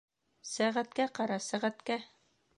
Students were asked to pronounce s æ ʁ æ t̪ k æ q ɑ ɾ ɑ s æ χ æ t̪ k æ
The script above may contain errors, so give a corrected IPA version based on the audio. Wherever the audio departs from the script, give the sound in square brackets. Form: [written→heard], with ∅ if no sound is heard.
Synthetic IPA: s æ ʁ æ t̪ k æ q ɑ ɾ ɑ s æ [χ→ʁ] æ t̪ k æ